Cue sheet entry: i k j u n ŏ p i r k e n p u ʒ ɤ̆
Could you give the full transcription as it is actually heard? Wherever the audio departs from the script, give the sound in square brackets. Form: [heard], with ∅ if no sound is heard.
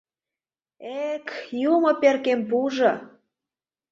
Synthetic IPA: [e] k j u [m] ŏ p [e] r k e [m] p u ʒ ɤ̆